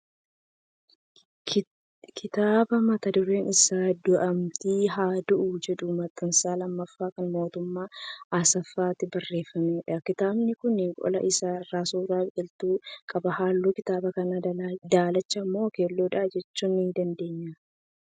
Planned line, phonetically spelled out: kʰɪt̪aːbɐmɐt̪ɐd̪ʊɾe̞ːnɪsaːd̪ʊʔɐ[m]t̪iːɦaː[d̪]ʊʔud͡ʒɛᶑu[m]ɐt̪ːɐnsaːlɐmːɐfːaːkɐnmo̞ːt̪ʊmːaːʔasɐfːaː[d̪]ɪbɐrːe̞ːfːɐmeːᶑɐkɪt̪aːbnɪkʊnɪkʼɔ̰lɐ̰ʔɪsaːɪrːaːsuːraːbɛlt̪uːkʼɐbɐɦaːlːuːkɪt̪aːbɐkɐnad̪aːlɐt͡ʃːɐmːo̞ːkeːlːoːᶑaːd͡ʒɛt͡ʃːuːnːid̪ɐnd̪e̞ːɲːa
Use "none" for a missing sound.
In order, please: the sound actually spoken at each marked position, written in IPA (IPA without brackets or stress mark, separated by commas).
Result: m, d̪, m, t̪